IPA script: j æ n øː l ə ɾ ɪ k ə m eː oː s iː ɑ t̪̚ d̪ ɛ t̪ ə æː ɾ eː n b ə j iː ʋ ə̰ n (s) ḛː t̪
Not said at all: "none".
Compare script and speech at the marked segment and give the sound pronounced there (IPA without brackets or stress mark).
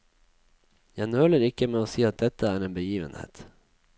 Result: h